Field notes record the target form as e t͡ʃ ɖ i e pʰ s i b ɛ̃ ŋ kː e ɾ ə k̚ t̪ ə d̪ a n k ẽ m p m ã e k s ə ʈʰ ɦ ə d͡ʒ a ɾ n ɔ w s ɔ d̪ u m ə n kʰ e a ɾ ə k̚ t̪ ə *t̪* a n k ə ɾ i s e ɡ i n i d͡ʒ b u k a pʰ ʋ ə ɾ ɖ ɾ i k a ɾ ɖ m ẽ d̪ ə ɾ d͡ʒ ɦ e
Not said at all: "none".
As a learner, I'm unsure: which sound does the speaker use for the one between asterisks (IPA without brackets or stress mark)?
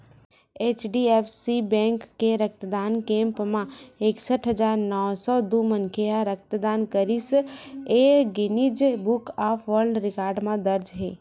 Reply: d̪